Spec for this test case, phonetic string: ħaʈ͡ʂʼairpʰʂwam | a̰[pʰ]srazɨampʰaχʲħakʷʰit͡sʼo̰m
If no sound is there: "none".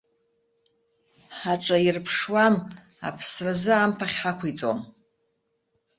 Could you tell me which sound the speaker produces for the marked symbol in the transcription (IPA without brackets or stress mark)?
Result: pʰ